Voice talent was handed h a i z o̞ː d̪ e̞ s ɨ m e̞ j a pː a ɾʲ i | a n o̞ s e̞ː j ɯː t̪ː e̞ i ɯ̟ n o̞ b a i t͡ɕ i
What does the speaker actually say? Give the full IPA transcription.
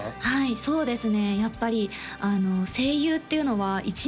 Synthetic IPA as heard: h a i s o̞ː d̪ e̞ s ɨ n e̞ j a pː a ɾʲ i | a n o̞ s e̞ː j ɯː t̪ː e̞ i ɯ̟ n o̞ β a i t͡ɕ i